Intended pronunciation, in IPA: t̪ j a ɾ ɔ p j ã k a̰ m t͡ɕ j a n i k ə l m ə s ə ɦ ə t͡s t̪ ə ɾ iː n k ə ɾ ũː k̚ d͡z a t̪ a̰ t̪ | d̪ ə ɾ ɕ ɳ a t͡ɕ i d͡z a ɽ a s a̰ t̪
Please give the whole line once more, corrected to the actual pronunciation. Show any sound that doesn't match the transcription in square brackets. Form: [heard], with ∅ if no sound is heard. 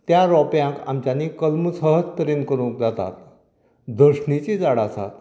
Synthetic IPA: t̪ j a ɾ ɔ p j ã k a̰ m t͡ɕ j a n i k ə l m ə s ə ɦ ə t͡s t̪ ə ɾ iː n k ə ɾ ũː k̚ d͡z a t̪ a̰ t̪ | d̪ ə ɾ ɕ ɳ [i] t͡ɕ i d͡z a ɽ a s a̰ t̪